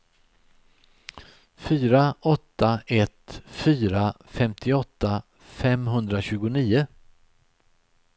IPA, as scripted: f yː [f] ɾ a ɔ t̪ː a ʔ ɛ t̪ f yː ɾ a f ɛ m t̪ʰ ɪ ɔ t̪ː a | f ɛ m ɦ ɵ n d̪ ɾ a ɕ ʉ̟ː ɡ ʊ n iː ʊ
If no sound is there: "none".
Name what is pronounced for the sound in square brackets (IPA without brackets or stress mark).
none